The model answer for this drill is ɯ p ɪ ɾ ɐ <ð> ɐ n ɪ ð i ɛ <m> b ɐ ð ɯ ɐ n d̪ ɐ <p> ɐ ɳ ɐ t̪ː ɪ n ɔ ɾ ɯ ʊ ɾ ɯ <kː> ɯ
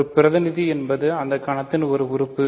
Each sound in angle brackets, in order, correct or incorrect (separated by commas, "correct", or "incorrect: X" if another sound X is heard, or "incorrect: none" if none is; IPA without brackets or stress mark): correct, incorrect: n, incorrect: k, incorrect: pː